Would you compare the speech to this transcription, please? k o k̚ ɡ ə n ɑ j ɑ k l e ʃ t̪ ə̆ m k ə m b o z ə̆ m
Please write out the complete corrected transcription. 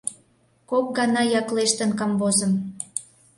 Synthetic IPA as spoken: k o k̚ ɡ ɑ n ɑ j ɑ k l e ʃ t̪ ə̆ n k ɑ m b o z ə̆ m